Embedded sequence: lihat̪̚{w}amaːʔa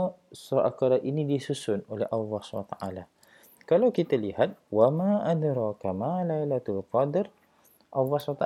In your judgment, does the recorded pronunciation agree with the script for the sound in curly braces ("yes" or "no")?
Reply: yes